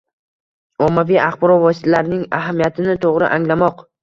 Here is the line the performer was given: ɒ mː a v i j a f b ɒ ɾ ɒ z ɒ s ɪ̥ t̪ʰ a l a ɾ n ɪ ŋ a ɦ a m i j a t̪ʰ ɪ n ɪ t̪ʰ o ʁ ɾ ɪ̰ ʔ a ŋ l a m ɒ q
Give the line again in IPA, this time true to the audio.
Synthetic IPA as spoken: ɒ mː a v i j a χ b ɒ ɾ ɒ v ɒ s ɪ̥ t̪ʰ a l a ɾ n ɪ ŋ a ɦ a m i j a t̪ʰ ɪ n ɪ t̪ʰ o ʁ ɾ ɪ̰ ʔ a ŋ l a m ɒ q